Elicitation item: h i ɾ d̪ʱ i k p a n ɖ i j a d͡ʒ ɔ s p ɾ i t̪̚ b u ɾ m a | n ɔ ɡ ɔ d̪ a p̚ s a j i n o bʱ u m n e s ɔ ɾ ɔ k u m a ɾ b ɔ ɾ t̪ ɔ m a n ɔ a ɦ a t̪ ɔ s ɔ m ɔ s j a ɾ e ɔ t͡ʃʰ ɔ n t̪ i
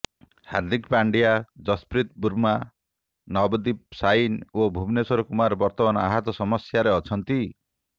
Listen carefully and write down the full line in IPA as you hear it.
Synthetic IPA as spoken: h a ɾ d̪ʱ i k p a ɳ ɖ i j a d͡ʒ ɔ s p ɾ i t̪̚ b u ɾ m a | n ɔ b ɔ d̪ i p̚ s a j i n o bʱ u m n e s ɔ ɾ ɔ k u m a ɾ b ɔ ɾ t̪ ɔ m a n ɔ a ɦ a t̪ ɔ s ɔ m ɔ s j a ɾ e ɔ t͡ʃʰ ɔ n t̪ i

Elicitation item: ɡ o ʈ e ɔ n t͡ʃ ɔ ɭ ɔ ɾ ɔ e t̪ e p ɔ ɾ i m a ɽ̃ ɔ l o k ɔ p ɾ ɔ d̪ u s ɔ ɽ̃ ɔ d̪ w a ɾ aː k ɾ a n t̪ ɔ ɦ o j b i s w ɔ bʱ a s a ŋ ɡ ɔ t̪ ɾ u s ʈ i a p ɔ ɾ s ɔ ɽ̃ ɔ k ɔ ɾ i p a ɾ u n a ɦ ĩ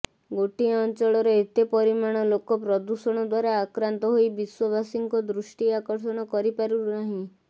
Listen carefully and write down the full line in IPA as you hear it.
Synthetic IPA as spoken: ɡ o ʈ i ɔ n t͡ʃ ɔ ɭ ɔ ɾ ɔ e t̪ e p ɔ ɾ i m a ɽ̃ ɔ l o k ɔ p ɾ ɔ d̪ u s ɔ ɽ̃ ɔ d̪ w a ɾ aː k ɾ a n t̪ ɔ ɦ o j b i s w ɔ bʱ a s i ŋ k ɔ d̪ ɾ u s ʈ i a k ɔ ɾ s ɔ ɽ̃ ɔ k ɔ ɾ i p a ɾ u n a ɦ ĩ

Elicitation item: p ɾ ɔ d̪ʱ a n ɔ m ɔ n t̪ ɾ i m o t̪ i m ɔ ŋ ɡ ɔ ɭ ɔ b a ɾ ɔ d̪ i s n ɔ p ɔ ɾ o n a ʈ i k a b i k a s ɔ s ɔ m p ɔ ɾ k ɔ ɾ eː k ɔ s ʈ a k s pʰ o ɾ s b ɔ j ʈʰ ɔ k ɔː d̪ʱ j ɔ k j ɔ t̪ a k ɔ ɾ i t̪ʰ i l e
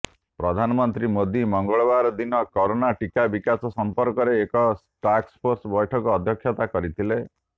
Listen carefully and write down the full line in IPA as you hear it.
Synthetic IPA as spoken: p ɾ ɔ d̪ʱ a n ɔ m ɔ n t̪ ɾ i m o d̪ i m ɔ ŋ ɡ ɔ ɭ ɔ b a ɾ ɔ d̪ i n ɔ k ɔ ɾ o n a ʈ i k a b i k a s ɔ s ɔ m p ɔ ɾ k ɔ ɾ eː k ɔ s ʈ a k s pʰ o ɾ s b ɔ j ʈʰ ɔ k ɔː d̪ʱ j ɔ kʰ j ɔ t̪ a k ɔ ɾ i t̪ʰ i l e

